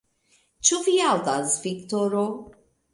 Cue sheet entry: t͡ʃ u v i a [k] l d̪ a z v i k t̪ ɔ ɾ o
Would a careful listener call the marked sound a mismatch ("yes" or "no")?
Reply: yes